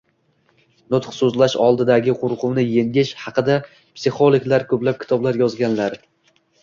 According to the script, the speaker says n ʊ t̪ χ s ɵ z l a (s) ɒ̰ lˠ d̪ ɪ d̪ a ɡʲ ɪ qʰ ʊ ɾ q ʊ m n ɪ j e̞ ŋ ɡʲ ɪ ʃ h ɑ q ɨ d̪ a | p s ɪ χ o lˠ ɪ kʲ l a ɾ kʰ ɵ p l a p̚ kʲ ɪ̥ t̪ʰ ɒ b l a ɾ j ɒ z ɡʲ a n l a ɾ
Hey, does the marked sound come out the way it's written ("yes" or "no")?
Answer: no